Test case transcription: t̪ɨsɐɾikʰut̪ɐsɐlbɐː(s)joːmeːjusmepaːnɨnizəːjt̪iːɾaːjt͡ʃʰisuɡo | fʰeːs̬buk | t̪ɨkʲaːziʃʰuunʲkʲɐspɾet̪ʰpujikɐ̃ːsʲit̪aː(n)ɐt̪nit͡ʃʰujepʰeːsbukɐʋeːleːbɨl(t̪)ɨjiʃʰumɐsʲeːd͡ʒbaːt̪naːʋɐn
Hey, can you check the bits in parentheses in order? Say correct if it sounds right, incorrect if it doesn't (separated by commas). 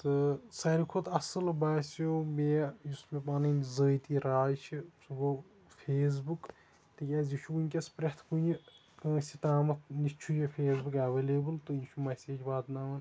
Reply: correct, incorrect, correct